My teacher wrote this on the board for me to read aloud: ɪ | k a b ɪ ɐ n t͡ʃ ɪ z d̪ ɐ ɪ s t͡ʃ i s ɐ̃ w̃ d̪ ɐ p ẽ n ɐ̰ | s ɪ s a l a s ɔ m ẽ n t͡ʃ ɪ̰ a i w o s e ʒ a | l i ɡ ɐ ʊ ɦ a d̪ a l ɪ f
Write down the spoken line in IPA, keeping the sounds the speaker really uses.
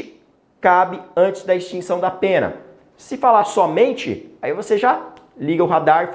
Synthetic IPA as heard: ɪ | k a b ɪ ɐ̃ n t͡ʃ ɪ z d̪ ɐ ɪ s t͡ʃ ĩ s ɐ̃ w̃ d̪ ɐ p ẽ n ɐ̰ | s ɪ f a l a s ɔ m ẽ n t͡ʃ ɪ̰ a i v o s e ʒ a | l i ɡ ɐ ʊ ɦ a d̪ a ɾ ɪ f